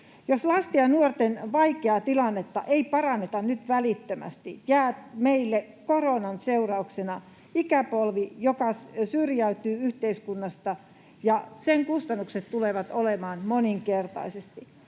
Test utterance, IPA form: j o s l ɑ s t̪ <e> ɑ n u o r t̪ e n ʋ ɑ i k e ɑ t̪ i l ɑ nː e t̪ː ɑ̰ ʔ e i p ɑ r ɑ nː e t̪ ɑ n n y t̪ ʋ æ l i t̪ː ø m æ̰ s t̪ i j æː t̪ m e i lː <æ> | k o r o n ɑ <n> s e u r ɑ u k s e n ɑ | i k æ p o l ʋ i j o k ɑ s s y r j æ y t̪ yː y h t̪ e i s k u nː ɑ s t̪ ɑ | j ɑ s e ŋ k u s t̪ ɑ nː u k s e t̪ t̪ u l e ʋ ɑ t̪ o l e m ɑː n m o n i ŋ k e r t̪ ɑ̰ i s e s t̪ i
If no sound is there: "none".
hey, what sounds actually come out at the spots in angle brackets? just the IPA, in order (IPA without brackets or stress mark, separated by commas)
i, e, n